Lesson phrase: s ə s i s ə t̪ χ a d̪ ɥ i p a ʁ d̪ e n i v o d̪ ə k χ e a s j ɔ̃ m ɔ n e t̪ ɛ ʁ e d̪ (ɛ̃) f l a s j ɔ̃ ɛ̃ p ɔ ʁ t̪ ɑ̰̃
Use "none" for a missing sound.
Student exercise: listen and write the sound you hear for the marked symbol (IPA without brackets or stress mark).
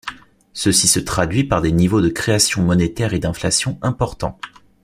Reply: ɛ̃